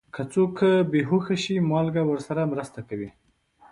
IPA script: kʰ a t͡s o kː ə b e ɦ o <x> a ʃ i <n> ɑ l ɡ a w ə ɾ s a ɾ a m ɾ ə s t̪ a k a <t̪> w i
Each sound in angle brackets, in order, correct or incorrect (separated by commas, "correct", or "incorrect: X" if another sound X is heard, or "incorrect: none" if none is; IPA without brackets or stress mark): correct, incorrect: m, incorrect: none